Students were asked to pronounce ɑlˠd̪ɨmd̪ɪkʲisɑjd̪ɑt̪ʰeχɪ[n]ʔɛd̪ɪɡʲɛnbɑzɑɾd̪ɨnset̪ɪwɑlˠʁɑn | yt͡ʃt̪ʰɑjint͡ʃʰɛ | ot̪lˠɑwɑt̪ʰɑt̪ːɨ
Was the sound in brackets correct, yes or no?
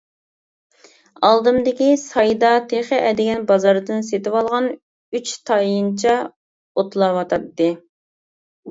no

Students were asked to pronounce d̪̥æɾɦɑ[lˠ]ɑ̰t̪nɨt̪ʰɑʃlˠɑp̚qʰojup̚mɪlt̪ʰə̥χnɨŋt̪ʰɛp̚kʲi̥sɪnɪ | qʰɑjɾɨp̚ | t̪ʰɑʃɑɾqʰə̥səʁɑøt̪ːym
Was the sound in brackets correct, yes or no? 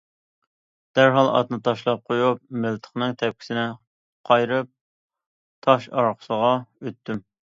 yes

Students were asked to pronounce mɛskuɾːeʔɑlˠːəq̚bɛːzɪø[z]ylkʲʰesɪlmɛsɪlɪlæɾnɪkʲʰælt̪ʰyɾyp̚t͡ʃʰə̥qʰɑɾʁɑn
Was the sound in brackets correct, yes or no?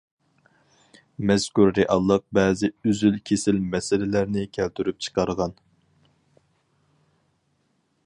yes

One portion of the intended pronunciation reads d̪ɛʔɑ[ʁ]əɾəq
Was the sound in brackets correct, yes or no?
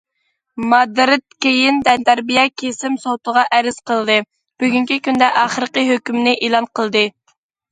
no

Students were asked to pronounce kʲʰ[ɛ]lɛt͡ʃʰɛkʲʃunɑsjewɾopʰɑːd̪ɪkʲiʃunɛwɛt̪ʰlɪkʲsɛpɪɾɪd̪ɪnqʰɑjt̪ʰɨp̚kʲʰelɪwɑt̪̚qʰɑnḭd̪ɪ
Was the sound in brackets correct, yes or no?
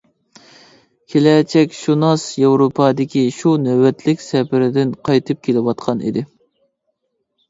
no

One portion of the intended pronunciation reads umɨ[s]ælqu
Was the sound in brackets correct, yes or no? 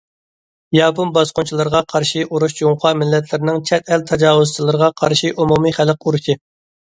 no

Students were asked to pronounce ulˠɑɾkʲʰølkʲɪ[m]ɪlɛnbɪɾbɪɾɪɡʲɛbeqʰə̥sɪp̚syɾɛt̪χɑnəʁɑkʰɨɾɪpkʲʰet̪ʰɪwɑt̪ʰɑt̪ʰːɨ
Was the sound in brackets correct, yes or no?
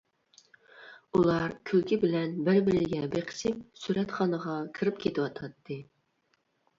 no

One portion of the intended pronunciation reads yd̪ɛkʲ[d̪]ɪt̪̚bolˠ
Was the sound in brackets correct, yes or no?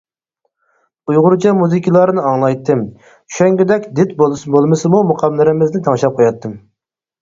yes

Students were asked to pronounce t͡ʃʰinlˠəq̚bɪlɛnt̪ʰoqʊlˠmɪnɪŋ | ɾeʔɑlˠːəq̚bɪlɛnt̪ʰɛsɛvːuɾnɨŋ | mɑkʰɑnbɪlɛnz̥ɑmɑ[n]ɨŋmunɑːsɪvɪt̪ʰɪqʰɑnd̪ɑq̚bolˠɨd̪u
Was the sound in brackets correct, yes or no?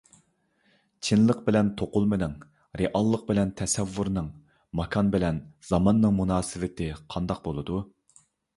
no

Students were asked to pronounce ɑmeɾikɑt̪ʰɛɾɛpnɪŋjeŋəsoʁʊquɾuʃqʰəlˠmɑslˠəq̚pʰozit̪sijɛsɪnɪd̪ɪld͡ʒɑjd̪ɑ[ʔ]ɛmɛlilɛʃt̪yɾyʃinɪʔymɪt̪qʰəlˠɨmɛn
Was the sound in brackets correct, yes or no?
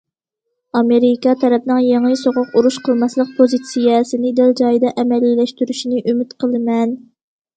yes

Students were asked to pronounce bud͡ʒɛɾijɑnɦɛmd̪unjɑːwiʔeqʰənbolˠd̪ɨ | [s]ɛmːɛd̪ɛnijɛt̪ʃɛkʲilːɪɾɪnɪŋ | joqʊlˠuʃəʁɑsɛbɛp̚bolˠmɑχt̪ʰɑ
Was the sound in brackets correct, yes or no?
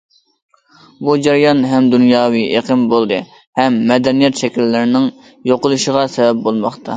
no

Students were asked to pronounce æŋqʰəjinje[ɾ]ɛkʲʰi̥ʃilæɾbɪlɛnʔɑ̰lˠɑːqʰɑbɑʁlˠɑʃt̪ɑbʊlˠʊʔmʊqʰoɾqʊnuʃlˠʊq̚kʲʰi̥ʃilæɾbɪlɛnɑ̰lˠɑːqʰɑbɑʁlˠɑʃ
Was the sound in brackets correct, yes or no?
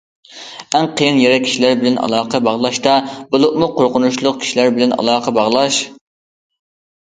yes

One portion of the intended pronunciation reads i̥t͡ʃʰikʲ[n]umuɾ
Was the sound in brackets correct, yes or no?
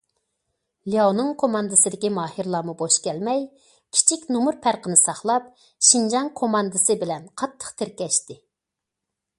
yes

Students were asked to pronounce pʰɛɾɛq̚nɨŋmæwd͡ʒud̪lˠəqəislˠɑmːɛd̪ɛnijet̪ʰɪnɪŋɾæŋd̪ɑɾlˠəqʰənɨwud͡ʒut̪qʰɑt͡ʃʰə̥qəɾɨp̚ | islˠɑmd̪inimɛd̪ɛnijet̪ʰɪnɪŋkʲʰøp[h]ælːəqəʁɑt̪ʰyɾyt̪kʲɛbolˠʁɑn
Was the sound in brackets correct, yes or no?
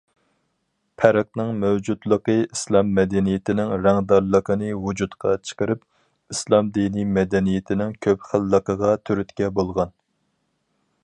no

